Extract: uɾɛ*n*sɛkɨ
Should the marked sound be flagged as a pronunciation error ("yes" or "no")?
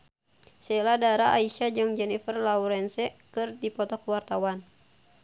no